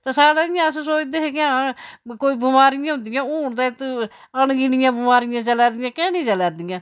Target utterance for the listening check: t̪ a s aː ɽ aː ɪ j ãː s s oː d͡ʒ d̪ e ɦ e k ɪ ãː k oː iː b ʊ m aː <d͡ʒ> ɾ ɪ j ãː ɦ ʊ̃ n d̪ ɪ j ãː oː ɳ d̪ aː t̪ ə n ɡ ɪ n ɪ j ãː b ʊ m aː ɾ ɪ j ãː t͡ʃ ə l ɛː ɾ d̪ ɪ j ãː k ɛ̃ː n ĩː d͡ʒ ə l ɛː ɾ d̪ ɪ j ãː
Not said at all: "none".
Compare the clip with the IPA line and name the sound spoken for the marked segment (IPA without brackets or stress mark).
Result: none